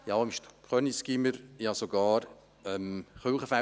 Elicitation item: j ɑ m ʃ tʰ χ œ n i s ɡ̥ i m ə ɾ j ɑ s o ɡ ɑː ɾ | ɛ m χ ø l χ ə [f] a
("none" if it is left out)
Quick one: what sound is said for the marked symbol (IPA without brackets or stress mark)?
f